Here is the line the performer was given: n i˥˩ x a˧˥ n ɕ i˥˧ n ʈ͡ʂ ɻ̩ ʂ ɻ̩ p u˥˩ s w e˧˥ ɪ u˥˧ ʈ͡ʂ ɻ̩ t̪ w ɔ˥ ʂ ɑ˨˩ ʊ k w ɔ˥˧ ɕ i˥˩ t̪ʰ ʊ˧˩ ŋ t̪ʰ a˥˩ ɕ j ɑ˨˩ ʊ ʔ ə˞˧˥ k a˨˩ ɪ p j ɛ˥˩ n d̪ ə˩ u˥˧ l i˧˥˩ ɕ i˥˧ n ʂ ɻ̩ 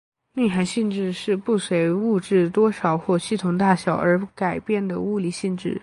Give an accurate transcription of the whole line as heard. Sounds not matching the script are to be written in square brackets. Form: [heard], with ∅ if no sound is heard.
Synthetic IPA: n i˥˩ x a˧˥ n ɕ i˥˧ n ʈ͡ʂ ɻ̩ ʂ ɻ̩ p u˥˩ s w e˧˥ ɪ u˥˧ ʈ͡ʂ ɻ̩ t̪ w ɔ˥ ʂ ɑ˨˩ ʊ [x] w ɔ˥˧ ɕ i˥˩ t̪ʰ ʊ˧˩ ŋ [t̪] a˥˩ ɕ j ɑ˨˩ ʊ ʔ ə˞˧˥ k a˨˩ ɪ p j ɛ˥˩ n d̪ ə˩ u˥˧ l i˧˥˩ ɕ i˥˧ n [ʈ͡ʂ] ɻ̩